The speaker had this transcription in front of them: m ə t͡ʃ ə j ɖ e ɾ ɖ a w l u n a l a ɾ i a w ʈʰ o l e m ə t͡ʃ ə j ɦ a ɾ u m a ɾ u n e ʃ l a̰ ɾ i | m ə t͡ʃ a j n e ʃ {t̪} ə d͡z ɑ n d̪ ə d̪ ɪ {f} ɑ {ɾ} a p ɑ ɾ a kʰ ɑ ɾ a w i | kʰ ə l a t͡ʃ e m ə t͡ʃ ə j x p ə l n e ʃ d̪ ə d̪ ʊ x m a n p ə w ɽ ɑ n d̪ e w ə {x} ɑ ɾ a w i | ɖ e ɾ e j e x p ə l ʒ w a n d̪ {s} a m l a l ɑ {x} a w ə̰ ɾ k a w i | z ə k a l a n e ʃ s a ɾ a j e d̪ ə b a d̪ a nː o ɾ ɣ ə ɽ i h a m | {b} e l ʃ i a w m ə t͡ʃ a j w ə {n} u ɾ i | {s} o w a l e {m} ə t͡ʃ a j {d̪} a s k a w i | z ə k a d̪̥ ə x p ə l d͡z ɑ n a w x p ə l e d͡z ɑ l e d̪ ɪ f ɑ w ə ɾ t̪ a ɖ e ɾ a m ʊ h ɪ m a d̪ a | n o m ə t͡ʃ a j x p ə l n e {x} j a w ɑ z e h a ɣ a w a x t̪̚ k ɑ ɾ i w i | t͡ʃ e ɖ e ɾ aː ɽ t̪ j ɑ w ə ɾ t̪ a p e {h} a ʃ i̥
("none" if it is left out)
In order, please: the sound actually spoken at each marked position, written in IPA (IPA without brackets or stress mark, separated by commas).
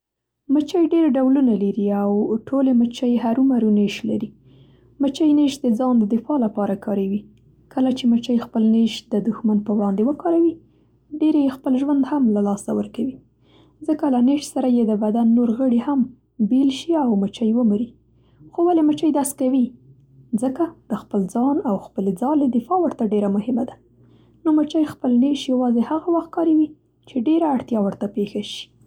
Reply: d̪, f, l, k, h, s, b, m, x, m, d̪, ʃ, x